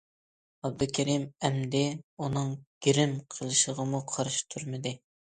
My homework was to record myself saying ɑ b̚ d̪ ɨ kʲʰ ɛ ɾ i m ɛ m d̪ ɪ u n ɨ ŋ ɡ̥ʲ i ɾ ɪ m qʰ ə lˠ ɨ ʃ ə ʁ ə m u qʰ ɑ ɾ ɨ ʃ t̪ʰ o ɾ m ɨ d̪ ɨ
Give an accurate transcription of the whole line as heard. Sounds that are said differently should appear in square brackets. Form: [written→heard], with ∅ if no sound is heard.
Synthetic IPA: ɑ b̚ d̪ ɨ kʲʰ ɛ ɾ i m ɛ m d̪ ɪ u n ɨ ŋ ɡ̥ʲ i ɾ ɪ m qʰ ə lˠ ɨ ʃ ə ʁ ə m u qʰ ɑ ɾ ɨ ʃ t̪ʰ [o→u] ɾ m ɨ d̪ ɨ